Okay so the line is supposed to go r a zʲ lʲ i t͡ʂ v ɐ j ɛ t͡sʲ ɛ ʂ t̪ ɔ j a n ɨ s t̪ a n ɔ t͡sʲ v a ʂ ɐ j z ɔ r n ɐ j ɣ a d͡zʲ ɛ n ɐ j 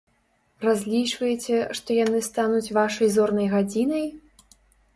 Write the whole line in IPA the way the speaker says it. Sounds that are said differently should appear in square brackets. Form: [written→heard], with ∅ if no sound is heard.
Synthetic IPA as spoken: r a zʲ lʲ i t͡ʂ v ɐ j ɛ t͡sʲ ɛ ʂ t̪ ɔ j a n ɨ s t̪ a n [ɔ→u] t͡sʲ v a ʂ ɐ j z ɔ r n ɐ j ɣ a d͡zʲ [ɛ→i] n ɐ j

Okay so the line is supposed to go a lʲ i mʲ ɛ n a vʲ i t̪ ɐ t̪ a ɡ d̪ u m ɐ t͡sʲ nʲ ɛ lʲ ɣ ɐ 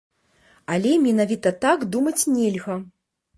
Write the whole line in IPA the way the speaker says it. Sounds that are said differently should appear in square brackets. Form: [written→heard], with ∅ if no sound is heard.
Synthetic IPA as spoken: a lʲ [i→ɛ] mʲ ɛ n a vʲ i t̪ ɐ t̪ a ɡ d̪ u m ɐ t͡sʲ nʲ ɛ lʲ ɣ ɐ

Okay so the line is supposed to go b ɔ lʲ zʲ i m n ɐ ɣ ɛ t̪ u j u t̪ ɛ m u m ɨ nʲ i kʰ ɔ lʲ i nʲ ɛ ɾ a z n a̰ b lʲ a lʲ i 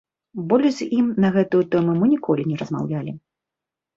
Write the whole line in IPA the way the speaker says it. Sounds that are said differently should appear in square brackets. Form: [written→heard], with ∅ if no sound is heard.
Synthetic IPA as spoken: b ɔ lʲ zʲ i m n ɐ ɣ ɛ t̪ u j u t̪ ɛ m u m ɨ nʲ i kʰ ɔ lʲ i nʲ ɛ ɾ [a→ɐ] z [n→m] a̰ [b→w] lʲ a lʲ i

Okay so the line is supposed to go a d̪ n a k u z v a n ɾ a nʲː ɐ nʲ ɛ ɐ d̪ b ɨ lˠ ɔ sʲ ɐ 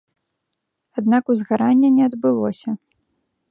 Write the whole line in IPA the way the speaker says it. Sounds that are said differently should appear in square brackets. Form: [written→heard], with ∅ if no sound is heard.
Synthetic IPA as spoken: a d̪ n a k u z [v→ɣ] a [n→∅] ɾ a nʲː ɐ nʲ ɛ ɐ d̪ b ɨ lˠ ɔ sʲ ɐ

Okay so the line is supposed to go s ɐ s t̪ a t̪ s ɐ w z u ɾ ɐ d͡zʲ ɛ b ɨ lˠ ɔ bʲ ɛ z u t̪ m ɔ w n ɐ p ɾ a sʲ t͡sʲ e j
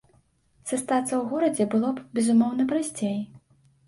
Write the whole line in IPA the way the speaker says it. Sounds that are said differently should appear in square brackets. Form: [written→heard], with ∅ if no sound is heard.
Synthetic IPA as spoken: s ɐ s t̪ a t̪ s ɐ w [z→ɣ] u ɾ ɐ d͡zʲ ɛ b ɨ lˠ ɔ bʲ ɛ z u [t̪→∅] m ɔ w n ɐ p ɾ a sʲ t͡sʲ e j

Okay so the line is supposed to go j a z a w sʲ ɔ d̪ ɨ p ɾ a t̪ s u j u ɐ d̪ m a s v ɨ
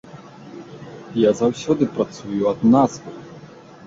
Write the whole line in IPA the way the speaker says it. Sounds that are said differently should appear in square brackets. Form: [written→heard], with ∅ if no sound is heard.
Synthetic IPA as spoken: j a z a w sʲ ɔ d̪ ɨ p ɾ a t̪ s u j u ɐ d̪ [m→n] a [s→z] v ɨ

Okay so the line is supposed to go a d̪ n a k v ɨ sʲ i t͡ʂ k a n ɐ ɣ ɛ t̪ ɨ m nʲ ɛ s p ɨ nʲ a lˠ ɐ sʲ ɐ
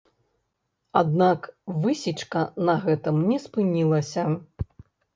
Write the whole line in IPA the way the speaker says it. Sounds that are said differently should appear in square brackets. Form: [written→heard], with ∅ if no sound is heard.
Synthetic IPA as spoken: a d̪ n a k v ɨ sʲ i t͡ʂ k [a→ɐ] n ɐ ɣ ɛ t̪ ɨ m nʲ ɛ s p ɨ nʲ [a→i] lˠ ɐ sʲ ɐ

